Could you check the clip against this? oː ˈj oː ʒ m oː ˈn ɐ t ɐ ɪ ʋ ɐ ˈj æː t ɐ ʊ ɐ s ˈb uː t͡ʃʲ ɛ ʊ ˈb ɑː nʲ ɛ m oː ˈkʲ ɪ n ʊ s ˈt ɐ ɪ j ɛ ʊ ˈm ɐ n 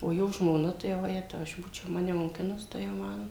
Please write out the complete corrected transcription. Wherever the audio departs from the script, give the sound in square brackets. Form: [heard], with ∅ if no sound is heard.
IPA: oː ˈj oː ʒ m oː ˈn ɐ t ɐ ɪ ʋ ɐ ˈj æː t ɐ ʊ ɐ [ʃ] ˈb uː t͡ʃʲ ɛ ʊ [ˈm] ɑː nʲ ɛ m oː ˈkʲ ɪ n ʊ s ˈt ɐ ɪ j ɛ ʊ ˈm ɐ n